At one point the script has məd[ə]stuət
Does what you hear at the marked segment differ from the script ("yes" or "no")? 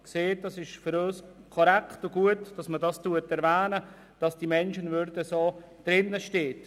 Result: yes